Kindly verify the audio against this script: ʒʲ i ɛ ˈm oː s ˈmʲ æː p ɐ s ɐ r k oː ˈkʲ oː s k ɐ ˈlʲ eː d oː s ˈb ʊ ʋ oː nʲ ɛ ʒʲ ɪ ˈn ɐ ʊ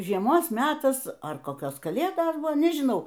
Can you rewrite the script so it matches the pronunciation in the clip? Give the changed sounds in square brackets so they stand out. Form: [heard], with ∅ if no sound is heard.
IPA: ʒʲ i ɛ ˈm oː s ˈmʲ æː [t] ɐ s ɐ r k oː ˈkʲ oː s k ɐ ˈlʲ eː d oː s ˈb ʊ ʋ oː nʲ ɛ ʒʲ ɪ ˈn ɐ ʊ